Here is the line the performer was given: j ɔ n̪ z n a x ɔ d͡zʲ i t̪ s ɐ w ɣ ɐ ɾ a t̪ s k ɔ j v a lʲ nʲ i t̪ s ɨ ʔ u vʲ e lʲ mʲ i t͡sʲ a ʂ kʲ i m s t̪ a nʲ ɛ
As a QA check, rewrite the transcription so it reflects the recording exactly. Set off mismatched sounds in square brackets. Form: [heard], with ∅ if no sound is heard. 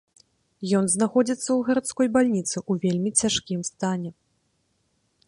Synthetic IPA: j ɔ n̪ z n a x ɔ d͡zʲ i t̪ [sː] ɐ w ɣ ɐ ɾ a t̪ s k ɔ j [b] a lʲ nʲ i t̪ s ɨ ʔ u vʲ e lʲ mʲ i t͡sʲ a ʂ kʲ i m s t̪ a nʲ ɛ